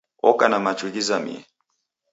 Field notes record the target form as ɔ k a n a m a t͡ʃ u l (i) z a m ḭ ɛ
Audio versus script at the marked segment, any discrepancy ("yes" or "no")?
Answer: no